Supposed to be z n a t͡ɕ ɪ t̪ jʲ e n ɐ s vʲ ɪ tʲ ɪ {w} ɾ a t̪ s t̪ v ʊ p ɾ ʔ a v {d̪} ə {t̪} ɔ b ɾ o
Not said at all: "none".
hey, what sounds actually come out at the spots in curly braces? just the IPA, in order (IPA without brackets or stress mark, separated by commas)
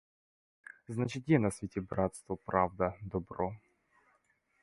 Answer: b, d̪, d̪